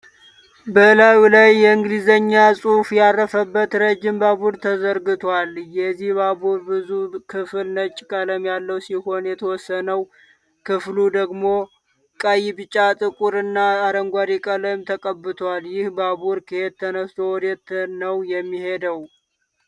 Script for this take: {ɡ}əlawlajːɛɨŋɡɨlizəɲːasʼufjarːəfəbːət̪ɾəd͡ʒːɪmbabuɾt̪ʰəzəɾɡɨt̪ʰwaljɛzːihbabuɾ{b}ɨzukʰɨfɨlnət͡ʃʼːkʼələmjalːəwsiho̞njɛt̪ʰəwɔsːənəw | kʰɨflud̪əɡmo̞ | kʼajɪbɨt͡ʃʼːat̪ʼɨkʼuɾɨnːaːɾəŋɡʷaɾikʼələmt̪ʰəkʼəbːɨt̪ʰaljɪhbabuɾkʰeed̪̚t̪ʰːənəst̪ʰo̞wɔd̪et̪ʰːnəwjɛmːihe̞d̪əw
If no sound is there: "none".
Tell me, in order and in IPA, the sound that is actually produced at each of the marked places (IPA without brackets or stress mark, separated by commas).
b, b